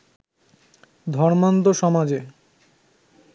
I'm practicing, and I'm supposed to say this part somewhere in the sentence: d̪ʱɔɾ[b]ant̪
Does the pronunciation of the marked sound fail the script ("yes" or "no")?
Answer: yes